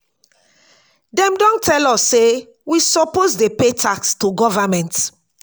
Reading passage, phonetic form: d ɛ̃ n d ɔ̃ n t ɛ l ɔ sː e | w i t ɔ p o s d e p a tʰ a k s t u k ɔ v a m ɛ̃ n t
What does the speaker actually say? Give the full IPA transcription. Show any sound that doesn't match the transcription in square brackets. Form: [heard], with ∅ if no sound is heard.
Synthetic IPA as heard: d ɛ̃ [m] d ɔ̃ n t ɛ l ɔ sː e | w i [s] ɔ p o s d e p [e] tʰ a k s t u [ɡ] ɔ v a m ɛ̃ n t